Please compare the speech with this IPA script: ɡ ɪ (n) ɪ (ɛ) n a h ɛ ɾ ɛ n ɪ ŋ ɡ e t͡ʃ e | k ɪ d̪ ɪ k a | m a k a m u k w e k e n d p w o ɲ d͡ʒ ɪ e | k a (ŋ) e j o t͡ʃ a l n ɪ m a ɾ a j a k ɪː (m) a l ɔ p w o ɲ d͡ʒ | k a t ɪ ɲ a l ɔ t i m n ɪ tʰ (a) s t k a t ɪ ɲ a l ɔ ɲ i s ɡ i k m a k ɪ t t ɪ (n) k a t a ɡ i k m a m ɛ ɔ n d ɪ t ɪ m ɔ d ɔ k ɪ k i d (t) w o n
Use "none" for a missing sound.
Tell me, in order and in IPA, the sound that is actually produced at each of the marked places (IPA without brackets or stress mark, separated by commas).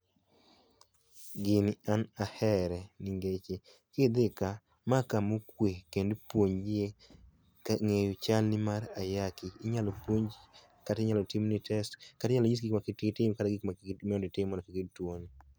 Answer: n, a, ŋ, ɲ, ɛ, m, t